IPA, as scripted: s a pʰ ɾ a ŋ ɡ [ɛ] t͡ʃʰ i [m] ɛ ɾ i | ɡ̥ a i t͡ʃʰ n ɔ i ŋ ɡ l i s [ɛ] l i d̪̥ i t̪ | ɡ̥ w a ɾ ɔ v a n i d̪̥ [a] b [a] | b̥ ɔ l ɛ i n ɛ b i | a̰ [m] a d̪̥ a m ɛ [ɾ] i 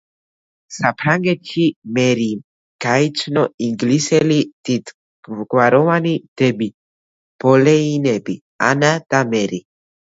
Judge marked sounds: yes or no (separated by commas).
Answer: yes, yes, yes, no, no, no, yes